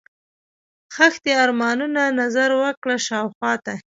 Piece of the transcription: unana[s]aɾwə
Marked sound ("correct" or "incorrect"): incorrect